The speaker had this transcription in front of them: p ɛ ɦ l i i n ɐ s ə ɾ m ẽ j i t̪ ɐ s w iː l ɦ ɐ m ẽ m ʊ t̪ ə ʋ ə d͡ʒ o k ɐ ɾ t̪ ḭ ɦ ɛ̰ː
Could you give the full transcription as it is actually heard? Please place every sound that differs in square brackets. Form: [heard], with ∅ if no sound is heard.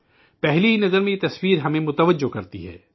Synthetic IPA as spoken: p ɛ ɦ l i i n ɐ [z] ə ɾ m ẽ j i t̪ ɐ s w iː [ɾ] ɦ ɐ m ẽ m ʊ t̪ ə ʋ ə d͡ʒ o k ɐ ɾ t̪ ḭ ɦ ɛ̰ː